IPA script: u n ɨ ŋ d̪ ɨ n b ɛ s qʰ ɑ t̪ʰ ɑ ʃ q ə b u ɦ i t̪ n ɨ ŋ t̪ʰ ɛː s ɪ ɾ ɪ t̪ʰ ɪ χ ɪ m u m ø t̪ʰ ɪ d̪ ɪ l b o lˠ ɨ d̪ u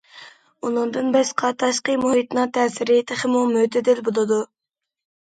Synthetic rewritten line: u n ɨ ŋ d̪ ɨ n b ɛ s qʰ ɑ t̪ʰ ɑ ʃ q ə m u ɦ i t̪ n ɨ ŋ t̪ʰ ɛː s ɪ ɾ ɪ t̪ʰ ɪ χ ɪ m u m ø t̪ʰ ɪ d̪ ɪ l b o lˠ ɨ d̪ u